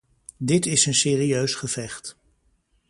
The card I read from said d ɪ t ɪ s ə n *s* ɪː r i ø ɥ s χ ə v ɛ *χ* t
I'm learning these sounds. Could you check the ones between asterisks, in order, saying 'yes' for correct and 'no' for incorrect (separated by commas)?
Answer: yes, yes